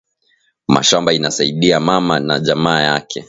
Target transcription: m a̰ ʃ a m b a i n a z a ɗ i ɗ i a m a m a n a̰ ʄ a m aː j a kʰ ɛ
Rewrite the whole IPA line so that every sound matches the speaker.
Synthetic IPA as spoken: m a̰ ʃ a m b a i n a s a i ɗ i a m a m a n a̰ ʄ a m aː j a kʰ ɛ

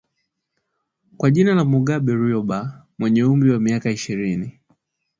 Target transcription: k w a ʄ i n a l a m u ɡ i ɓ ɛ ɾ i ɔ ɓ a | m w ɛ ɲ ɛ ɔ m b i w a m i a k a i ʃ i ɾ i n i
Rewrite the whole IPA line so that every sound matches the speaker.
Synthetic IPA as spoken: k w a ʄ i n a l a m u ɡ a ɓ ɛ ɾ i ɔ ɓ a | m w ɛ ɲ ɛ u m b i w a m i a k a i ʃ i ɾ i n i

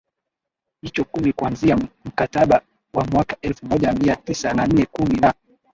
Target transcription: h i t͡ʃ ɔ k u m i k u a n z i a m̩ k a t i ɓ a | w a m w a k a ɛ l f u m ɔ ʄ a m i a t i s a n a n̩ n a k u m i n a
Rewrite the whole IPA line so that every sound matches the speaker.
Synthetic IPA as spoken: h i t͡ʃ ɔ k u m i k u a n z i a m̩ k a t a ɓ a | w a m w a k a ɛ l f u m ɔ ʄ a m i a t i s a n a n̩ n ɛ k u m i n a

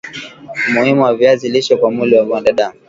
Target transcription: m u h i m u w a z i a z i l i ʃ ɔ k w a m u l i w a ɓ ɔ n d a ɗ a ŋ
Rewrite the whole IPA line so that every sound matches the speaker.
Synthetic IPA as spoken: m u h i m u w a v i a z i l i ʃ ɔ k w a m u l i w a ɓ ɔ n d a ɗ a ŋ

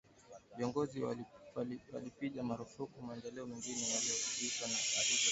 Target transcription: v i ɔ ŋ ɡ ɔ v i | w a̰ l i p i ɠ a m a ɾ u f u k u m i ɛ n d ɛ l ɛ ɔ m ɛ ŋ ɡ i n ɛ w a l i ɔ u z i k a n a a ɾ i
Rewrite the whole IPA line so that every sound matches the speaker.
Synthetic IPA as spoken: v i ɔ ŋ ɡ ɔ z i | w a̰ l i p i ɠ a m a ɾ u f u k u m a ɛ n d ɛ l ɛ ɔ m ɛ ŋ ɡ i n ɛ w a l i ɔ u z i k a n a a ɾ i

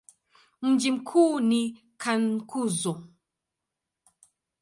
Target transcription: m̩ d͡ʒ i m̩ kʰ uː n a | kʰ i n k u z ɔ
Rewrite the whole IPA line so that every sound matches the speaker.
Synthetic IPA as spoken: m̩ d͡ʒ i m̩ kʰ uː n i | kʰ a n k u z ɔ

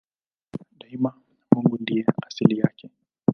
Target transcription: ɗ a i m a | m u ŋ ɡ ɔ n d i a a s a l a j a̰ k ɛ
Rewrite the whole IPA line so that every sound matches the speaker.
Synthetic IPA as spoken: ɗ a i m a | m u ŋ ɡ u n d i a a s i l i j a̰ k ɛ

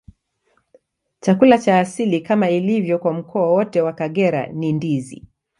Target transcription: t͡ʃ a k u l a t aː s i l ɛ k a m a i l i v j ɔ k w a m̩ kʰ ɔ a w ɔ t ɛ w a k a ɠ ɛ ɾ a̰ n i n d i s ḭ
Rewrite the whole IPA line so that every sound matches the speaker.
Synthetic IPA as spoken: t͡ʃ a k u l a t͡ʃ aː s i l i k a m a i l i v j ɔ k w a m̩ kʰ ɔ a w ɔ t ɛ w a k a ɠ ɛ ɾ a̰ n i n d i z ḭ

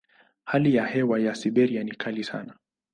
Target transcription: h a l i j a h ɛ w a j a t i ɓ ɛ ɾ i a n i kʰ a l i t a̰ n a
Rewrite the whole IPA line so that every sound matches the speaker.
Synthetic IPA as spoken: h a l i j a h ɛ w a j a s i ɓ ɛ ɾ i a n i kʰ a l i s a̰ n a

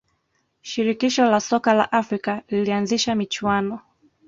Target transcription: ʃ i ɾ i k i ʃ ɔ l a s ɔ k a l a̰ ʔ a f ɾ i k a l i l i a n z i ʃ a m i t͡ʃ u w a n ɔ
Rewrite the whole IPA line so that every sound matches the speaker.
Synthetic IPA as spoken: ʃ i ɾ i k i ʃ ɔ l a s ɔ k a l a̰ ʔ a f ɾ i k a l i l i a n z i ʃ a m i t͡ʃ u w a n ɔ

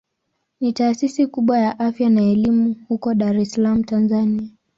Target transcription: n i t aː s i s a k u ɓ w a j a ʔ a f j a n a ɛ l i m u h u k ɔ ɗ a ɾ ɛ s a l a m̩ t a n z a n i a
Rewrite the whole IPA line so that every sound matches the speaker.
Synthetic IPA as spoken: n i t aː s i s i k u ɓ w a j a ʔ a f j a n a ɛ l i m u h u k ɔ ɗ a ɾ ɛ s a l a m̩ t a n z a n i a

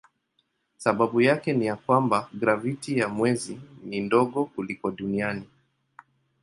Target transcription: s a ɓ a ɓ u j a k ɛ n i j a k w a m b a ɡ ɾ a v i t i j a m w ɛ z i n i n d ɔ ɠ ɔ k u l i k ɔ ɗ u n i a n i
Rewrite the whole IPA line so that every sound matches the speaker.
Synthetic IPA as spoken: s a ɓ a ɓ u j a k ɛ n i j a k w a m b a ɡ ɾ a v i t i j a m w ɛ z i n i n d ɔ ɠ ɔ k u l i k ɔ ɗ u n i a n i

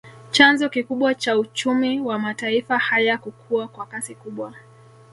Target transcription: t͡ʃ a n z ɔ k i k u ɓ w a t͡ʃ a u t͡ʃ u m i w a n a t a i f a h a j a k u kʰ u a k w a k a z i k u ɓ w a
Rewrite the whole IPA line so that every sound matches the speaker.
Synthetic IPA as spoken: t͡ʃ a n z ɔ k i k u ɓ w a t͡ʃ a u t͡ʃ u m i w a m a t a i f a h a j a k u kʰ u a k w a k a s i k u ɓ w a

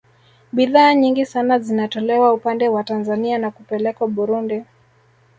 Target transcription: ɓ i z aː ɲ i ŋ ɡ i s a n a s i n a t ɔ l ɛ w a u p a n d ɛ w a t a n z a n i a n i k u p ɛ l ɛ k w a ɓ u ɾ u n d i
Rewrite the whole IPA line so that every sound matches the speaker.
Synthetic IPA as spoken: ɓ i ð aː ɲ i ŋ ɡ i s a n a z i n a t ɔ l ɛ w a u p a n d ɛ w a t a n z a n i a n a k u p ɛ l ɛ k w a ɓ u ɾ u n d i

